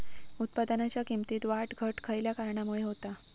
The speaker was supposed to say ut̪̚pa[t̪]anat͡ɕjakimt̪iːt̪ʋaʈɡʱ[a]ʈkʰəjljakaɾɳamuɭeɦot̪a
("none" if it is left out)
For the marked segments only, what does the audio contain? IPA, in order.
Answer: d̪, ə

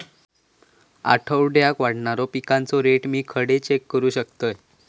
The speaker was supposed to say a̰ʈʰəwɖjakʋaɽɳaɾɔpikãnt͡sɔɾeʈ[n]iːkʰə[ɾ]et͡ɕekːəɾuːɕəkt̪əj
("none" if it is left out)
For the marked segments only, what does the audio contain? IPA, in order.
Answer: m, ɽ

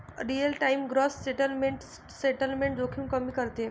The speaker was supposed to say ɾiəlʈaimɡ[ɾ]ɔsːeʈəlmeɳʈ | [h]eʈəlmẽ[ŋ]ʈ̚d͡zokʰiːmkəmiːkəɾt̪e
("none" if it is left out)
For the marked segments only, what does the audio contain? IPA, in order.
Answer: ɾ, s, ɳ

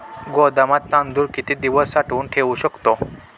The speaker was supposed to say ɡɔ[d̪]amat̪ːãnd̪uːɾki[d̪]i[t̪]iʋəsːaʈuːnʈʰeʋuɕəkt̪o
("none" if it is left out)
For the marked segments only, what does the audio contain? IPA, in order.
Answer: d̪, t̪, d̪

